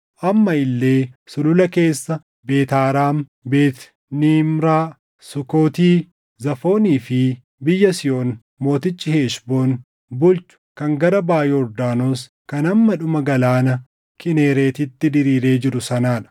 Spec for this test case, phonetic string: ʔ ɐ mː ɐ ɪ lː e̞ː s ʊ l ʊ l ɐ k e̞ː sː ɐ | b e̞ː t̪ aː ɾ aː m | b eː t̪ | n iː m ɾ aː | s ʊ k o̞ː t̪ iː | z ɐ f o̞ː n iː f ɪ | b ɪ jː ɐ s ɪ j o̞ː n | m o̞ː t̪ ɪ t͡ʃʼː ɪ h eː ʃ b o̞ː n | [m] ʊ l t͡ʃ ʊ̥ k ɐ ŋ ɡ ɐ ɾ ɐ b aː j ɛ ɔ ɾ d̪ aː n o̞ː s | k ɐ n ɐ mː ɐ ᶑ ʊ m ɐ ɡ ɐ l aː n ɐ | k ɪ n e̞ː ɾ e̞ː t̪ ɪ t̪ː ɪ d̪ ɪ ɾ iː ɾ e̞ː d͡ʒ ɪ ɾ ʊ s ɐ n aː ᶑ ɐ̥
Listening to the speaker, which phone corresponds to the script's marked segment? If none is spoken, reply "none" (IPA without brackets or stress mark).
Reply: b